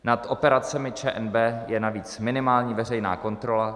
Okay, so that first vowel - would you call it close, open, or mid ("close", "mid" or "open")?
open